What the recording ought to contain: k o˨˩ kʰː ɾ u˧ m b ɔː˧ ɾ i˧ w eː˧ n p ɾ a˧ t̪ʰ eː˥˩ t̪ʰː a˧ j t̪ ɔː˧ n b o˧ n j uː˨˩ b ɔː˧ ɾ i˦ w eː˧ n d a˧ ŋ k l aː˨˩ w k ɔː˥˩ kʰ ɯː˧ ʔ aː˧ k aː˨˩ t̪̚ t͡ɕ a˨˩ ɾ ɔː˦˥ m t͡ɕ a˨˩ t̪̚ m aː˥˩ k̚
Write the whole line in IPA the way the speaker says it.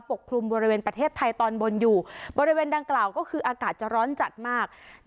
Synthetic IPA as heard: p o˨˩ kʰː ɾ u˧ m b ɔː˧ ɾ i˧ w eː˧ n p ɾ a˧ t̪ʰ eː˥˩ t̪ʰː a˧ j t̪ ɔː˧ n b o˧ n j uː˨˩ b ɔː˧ ɾ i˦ w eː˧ n d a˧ ŋ k l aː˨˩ w k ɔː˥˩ kʰ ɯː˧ ʔ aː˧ k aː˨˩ t̪̚ t͡ɕ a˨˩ ɾ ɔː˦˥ n t͡ɕ a˨˩ t̪̚ m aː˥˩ k̚